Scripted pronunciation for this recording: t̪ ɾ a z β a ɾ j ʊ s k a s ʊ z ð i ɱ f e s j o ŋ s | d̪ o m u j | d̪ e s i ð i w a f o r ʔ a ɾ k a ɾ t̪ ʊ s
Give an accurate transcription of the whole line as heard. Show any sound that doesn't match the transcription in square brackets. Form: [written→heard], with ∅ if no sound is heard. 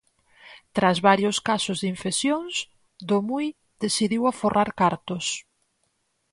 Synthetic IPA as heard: t̪ ɾ a z β a ɾ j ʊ s k a s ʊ z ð i ɱ f e s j o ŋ s | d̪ o m u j | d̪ e s i ð i w a f o r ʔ a ɾ k a ɾ t̪ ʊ s